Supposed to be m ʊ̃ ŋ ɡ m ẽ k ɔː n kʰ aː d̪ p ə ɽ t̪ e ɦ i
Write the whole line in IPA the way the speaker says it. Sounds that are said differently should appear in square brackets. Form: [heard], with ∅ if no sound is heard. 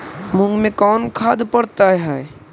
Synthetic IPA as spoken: m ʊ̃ ŋ ɡ m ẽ k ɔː n kʰ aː d̪ p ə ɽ t̪ [a] ɦ [ɛ]